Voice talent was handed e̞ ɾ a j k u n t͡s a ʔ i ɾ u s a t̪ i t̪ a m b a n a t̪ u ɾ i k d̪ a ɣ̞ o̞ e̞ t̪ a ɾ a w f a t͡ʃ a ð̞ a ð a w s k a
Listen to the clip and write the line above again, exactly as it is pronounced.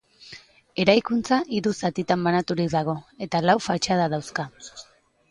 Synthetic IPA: e̞ ɾ a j k u n t͡s a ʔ i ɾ u s a t̪ i t̪ a m b a n a t̪ u ɾ i k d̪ a ɣ̞ o̞ e̞ t̪ a l a w f a t͡ʃ a ð̞ a ð a w s k a